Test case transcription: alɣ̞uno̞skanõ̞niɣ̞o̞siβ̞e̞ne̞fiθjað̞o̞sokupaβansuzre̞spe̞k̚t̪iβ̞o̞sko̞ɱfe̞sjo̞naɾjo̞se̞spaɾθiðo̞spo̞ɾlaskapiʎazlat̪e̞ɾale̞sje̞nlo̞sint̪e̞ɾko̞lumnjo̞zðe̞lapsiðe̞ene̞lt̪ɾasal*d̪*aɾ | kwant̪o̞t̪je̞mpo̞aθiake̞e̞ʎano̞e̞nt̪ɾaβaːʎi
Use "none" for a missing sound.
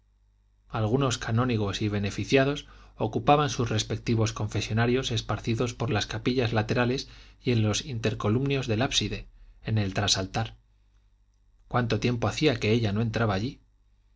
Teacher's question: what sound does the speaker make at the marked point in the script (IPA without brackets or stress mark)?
t̪